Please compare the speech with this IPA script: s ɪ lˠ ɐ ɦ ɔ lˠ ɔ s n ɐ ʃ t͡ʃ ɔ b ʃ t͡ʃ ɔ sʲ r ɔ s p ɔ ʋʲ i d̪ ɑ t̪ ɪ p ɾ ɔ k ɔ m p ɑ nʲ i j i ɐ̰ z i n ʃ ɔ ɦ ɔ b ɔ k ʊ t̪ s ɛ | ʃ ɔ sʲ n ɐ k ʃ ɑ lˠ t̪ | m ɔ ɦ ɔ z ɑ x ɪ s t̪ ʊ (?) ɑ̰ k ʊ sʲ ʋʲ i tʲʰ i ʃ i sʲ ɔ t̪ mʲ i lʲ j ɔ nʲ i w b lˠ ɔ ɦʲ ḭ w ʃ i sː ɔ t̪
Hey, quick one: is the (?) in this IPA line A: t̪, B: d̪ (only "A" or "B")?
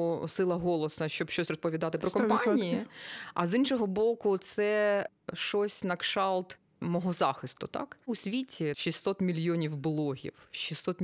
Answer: A